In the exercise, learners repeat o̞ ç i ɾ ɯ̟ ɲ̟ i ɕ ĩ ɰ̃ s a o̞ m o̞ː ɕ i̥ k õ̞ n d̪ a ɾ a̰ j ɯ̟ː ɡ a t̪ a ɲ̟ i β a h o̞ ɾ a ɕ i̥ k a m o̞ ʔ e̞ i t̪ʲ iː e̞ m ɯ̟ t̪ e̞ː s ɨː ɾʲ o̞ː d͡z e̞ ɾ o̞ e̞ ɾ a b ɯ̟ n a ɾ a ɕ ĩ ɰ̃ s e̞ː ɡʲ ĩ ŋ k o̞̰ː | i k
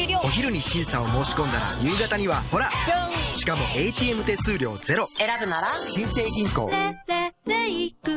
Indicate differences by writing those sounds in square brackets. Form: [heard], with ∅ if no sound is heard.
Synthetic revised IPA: o̞ ç i ɾ ɯ̟ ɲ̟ i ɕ ĩ ɰ̃ s a o̞ m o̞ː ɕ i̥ k õ̞ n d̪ a ɾ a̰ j ɯ̟ː ɡ a t̪ a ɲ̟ i β a h o̞ ɾ a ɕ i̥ k a m o̞ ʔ e̞ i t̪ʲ iː e̞ m ɯ̟ t̪ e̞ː s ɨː ɾʲ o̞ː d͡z e̞ ɾ o̞ e̞ ɾ a b ɯ̟ n a ɾ a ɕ ĩ ɰ̃ s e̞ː ɡʲ ĩ ŋ k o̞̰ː | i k